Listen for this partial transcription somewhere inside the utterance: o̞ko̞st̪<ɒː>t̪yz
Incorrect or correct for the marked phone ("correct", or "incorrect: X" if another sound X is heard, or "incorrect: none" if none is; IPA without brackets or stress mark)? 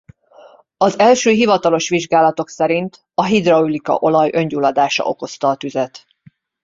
correct